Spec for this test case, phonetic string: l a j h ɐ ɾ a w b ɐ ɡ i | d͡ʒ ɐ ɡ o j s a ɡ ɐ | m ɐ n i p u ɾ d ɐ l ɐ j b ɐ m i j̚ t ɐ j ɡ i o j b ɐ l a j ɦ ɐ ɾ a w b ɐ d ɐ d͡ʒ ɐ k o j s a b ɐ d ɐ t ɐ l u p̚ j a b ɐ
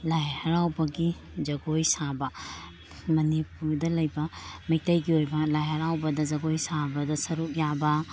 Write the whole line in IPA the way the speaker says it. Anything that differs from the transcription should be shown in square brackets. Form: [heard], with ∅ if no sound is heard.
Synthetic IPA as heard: l a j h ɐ ɾ a w b ɐ ɡ i | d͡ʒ ɐ ɡ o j s a [b] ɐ | m ɐ n i p u ɾ d ɐ l ɐ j b ɐ m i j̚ t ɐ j ɡ i o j b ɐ l a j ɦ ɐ ɾ a w b ɐ d ɐ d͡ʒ ɐ [ɡ] o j s a b ɐ d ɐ [s] ɐ [ɾ] u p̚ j a b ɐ